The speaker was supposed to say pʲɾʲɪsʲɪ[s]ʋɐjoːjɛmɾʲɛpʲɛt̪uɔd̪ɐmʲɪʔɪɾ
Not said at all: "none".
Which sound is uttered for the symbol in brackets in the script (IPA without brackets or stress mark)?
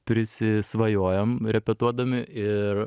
s